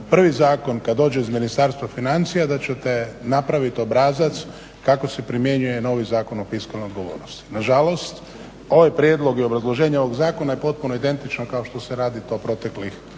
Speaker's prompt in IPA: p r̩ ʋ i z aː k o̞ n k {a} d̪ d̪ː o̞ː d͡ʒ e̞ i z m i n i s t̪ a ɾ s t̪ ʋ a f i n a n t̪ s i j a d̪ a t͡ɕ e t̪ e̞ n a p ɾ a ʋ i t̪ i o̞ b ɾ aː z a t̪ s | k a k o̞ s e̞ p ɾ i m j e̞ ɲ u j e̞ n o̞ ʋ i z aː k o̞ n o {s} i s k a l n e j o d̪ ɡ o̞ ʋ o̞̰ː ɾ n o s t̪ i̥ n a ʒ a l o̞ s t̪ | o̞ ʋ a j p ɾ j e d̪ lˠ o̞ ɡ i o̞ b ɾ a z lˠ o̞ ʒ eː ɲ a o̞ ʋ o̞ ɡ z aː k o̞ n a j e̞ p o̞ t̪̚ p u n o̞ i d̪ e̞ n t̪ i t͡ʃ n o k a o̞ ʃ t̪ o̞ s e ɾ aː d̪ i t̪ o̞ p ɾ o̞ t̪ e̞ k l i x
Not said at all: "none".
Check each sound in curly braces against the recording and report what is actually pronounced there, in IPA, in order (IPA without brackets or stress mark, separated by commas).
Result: a, f